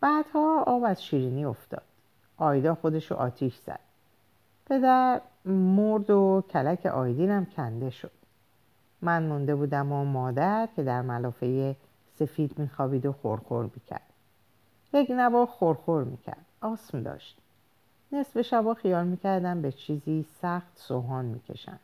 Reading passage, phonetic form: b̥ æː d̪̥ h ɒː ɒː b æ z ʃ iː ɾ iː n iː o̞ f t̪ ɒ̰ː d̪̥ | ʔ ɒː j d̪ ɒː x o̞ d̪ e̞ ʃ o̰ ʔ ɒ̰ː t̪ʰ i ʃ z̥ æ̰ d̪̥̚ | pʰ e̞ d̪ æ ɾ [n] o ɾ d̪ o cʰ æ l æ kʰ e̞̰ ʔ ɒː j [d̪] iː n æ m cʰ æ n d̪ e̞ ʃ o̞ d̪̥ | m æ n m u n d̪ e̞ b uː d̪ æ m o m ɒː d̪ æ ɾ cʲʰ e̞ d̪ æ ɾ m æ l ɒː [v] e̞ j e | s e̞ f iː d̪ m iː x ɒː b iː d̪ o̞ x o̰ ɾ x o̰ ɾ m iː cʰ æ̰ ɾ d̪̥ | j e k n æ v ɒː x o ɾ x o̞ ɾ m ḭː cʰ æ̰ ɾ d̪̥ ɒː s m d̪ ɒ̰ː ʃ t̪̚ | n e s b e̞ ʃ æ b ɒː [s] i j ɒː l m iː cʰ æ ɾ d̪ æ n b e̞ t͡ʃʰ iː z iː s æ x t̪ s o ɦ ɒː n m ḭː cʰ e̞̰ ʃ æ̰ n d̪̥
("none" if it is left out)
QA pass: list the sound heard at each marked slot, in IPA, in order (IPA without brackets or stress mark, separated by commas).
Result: m, d̪, f, x